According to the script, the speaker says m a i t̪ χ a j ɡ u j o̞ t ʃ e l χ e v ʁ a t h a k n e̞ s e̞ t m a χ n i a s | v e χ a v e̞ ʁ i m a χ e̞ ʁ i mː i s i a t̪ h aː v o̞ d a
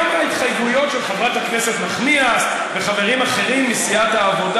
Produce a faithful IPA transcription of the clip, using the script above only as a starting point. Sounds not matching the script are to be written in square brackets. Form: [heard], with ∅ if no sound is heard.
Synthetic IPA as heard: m a i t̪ χ a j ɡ u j o̞ t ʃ e l χ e v ʁ a t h a k n e̞ s e̞ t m a χ n i a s | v e χ a v e̞ ʁ i m a χ e̞ ʁ i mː i s i a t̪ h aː v o̞ d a

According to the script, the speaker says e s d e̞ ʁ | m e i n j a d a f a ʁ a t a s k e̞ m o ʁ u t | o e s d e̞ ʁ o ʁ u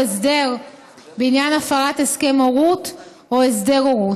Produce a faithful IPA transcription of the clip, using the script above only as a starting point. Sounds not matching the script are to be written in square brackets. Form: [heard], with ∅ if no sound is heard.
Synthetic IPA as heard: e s d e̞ ʁ | [b] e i n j a [n] a f a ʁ a t [e] s k e̞ m o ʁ u t | o e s d e̞ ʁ o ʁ u

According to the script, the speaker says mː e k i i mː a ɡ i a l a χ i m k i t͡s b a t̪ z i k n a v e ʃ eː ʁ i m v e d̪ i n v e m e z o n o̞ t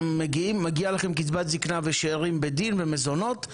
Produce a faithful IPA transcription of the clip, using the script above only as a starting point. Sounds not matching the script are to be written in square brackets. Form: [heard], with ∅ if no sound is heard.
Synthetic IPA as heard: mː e [ɡ] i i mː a ɡ i a l a χ [e] m k i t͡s b a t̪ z i k n a v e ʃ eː ʁ i m [b] e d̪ i n v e m e z o n o̞ t

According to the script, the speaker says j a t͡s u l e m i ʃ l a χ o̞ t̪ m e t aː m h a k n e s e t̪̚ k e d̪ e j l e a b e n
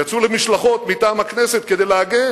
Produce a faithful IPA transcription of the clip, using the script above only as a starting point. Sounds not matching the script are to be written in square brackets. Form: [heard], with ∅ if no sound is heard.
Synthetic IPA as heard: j a t͡s u l e m i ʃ l a χ o̞ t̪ m [i] t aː m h a k n e s e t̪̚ k e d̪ e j l e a [ɡ] e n

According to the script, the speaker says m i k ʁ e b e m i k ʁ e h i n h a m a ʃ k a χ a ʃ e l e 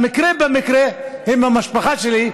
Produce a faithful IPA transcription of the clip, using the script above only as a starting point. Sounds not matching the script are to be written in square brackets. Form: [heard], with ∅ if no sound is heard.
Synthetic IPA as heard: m i k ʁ e b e m i k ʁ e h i [m] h a m a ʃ [p] a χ a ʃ e l [i]

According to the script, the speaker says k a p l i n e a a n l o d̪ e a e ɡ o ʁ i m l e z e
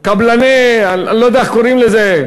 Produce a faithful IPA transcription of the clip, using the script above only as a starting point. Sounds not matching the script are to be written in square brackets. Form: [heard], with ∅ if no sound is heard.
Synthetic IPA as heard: k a [b] l [a] n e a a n l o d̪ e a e [k] o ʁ i m l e z e

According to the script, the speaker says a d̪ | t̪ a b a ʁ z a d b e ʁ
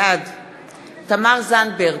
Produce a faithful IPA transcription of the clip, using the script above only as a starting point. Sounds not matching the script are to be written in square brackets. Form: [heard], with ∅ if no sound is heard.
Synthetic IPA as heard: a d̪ | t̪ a [m] a ʁ z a [n] b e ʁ

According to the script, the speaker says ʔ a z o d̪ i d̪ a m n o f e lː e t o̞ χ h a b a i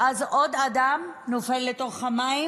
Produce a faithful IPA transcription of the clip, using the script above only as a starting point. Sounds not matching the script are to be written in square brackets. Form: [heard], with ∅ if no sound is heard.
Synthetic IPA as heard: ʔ a z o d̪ [a] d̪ a m n o f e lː e t o̞ χ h a [m] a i

